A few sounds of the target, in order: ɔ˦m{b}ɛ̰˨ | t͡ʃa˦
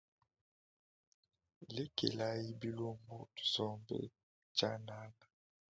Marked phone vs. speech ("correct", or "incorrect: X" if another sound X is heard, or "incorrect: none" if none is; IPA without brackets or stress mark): correct